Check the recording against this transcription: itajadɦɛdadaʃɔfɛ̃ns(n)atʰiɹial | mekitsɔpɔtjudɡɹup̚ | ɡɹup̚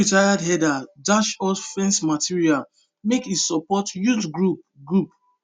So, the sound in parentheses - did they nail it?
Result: no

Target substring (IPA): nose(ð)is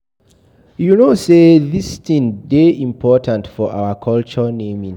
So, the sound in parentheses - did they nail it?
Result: yes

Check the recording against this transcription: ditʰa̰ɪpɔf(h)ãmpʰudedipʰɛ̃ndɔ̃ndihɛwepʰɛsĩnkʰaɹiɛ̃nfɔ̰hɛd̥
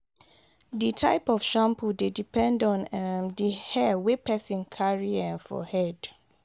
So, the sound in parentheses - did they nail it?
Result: no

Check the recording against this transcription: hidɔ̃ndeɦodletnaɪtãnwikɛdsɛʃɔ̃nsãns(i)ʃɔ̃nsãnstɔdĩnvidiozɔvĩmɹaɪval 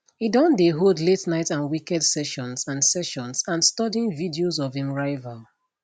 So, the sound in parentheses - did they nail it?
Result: no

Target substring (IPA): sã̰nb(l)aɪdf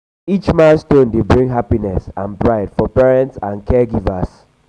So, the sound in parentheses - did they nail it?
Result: no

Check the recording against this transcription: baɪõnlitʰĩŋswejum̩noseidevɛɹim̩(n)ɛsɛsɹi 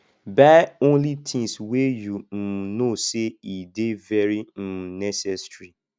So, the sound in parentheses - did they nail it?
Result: yes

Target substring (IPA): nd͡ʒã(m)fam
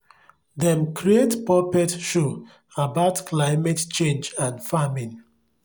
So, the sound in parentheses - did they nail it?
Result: no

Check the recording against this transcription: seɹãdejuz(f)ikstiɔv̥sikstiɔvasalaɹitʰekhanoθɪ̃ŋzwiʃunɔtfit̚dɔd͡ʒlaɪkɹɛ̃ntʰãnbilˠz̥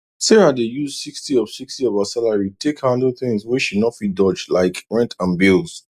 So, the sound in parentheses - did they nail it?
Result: no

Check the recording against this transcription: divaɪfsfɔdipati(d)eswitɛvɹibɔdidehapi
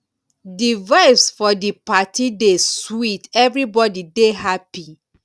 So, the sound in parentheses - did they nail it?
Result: yes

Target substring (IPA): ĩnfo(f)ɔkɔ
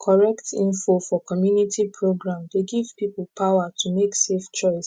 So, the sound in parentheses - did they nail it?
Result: yes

